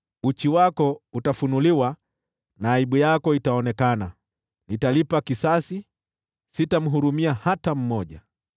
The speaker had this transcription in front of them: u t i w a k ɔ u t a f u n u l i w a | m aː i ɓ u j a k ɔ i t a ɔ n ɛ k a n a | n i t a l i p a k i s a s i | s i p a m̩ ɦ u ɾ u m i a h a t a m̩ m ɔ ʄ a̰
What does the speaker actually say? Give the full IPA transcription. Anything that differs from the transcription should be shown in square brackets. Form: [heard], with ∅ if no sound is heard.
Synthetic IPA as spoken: u [t͡ʃ] i w a k ɔ u t a f u n u l i w a | [n] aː i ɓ u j a k ɔ i t a ɔ n ɛ k a n a | n i t a l i p a k i s a s i | s i [t] a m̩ ɦ u ɾ u m i a h a t a m̩ m ɔ ʄ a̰